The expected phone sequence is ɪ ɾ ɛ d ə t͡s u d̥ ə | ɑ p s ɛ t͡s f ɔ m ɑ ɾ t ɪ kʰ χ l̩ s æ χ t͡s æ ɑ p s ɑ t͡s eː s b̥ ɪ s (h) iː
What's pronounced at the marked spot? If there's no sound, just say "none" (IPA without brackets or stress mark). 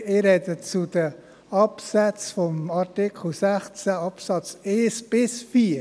f